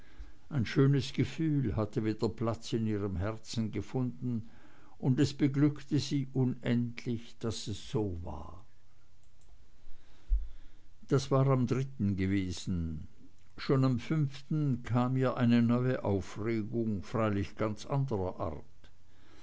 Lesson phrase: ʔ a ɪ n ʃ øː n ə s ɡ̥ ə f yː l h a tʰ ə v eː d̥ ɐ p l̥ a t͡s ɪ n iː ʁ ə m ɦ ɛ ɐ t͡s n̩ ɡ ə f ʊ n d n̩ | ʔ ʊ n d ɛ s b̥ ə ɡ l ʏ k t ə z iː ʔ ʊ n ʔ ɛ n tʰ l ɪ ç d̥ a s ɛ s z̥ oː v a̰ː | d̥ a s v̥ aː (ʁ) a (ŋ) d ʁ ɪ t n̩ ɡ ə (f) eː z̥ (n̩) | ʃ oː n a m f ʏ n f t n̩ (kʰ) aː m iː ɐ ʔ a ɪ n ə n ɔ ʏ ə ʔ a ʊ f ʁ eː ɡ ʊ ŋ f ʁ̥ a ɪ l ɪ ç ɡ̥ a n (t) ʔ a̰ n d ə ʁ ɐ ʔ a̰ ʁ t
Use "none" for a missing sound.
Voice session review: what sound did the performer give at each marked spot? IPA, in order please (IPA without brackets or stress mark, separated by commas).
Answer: ʁ, m, v, n̩, kʰ, t͡s